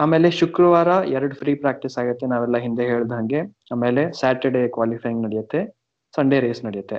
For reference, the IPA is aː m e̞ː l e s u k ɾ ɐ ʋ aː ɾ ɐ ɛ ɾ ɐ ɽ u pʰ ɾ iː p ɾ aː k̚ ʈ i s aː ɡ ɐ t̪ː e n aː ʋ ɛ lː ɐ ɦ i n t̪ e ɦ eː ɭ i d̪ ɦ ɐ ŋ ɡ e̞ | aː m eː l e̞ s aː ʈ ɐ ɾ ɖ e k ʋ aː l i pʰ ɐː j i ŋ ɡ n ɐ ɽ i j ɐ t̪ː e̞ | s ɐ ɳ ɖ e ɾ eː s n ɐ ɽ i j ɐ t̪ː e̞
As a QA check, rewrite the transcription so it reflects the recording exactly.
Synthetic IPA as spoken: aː m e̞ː l e ʃ u k ɾ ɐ ʋ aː ɾ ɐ ɛ ɾ ɐ ɽ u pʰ ɾ iː p ɾ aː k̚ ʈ i s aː ɡ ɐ t̪ː e n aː ʋ ɛ lː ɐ ɦ i n d̪ e ɦ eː ɭ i d̪ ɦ ɐ ŋ ɡ e̞ | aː m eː l e̞ s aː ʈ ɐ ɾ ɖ e k ʋ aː l i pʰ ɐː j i ŋ ɡ n ɐ ɽ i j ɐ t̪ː e̞ | s ɐ ɳ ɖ e ɾ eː s n ɐ ɽ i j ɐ t̪ː e̞